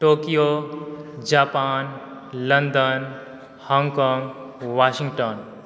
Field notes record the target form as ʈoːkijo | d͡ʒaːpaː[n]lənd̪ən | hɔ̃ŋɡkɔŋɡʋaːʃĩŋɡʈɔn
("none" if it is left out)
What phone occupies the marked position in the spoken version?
n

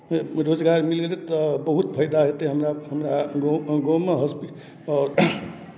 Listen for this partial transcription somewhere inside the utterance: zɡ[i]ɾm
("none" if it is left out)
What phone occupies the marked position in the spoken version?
a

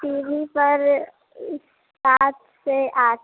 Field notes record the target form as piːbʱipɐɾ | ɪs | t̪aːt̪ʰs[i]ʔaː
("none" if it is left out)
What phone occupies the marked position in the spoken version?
e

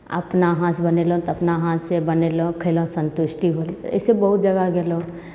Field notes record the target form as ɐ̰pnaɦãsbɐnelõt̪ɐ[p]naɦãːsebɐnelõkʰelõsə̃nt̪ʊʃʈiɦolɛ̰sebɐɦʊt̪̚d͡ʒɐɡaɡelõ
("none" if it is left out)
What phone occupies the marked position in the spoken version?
p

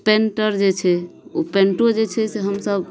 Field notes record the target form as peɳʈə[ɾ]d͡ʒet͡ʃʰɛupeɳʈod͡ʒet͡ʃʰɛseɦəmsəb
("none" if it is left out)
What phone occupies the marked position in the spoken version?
ɾ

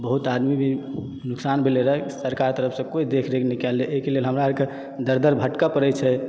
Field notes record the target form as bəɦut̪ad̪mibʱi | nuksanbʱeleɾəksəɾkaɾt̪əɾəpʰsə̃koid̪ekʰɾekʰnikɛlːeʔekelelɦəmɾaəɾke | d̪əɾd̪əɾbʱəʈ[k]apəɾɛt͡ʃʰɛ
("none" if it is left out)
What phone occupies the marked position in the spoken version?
k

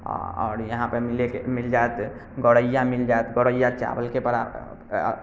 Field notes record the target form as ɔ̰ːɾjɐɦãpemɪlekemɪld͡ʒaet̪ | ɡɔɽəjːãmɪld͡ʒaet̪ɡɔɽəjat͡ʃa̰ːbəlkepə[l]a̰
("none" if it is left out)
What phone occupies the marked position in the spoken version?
ɾ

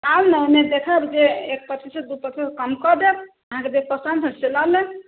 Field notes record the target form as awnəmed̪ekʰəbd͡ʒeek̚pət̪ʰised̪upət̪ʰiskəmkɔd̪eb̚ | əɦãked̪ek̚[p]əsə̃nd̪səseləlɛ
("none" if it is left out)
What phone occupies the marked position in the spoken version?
p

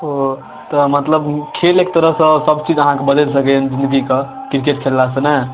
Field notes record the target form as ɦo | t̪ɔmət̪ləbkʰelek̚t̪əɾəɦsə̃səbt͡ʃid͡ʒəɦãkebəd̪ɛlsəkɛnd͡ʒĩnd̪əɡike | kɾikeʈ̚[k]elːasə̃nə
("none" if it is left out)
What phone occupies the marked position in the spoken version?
kʰ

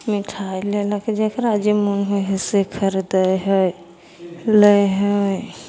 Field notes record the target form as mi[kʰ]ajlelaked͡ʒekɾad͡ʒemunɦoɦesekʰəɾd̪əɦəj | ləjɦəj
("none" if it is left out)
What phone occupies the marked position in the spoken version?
ʈʰ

